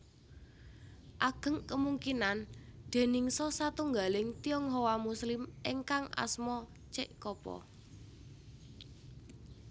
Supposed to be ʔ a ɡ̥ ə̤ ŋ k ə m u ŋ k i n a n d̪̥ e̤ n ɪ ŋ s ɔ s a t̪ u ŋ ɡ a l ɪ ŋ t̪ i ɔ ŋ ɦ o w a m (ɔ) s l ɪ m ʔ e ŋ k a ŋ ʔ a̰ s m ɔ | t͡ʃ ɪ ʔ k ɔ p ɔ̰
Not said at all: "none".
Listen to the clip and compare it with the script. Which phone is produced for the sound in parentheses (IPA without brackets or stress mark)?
u